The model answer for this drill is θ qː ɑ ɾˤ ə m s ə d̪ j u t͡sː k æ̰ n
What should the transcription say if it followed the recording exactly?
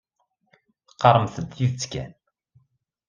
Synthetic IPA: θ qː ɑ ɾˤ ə m θ ə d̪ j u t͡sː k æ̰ n